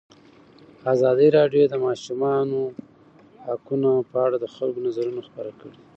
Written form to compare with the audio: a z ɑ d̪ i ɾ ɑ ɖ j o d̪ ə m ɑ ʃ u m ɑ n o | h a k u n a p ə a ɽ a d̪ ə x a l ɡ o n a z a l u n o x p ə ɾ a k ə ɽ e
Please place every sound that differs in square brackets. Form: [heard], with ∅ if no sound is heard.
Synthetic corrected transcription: a z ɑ d̪ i ɾ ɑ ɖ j o d̪ ə m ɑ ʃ u m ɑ n o | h a k u n a p ə a ɽ a d̪ ə x a l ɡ o n a z a [ɾ] u n o x p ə ɾ a k ə ɽ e